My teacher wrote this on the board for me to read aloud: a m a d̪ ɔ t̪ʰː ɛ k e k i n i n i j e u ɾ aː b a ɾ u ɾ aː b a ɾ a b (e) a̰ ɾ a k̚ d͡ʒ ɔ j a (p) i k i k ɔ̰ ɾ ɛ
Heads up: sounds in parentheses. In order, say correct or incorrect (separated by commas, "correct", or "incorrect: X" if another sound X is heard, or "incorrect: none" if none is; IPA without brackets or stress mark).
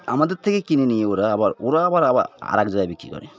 incorrect: a, incorrect: b